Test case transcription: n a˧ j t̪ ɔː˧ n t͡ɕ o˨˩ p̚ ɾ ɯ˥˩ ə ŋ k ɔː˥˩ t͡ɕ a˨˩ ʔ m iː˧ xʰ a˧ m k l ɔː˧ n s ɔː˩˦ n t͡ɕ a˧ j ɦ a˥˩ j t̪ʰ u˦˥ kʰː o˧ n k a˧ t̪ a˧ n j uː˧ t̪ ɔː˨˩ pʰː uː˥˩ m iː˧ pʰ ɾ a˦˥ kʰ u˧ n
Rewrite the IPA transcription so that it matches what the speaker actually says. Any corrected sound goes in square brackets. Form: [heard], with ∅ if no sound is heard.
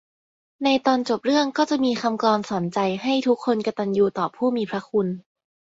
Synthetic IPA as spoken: n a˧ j t̪ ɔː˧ n t͡ɕ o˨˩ p̚ ɾ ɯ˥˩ ə ŋ k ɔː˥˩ t͡ɕ a˨˩ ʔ m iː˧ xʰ a˧ m k l ɔː˧ n s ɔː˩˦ n t͡ɕ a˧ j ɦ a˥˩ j t̪ʰ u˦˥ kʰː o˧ n k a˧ t̪ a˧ n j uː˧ t̪ ɔː˨˩ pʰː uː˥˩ m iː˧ pʰ ɾ a˦˥ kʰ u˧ n